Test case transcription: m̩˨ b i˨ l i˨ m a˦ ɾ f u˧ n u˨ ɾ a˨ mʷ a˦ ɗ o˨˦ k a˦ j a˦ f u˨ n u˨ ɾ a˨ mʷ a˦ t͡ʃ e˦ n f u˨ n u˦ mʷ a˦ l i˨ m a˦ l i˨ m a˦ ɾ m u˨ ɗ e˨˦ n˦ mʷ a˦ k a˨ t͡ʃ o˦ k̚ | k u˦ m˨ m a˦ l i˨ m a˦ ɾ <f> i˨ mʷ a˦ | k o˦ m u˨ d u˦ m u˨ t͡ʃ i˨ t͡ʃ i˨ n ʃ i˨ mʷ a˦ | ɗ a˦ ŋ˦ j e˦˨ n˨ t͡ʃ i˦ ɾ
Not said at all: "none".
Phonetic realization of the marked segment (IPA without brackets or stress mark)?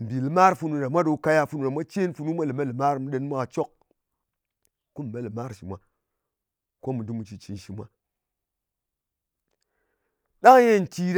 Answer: ʃ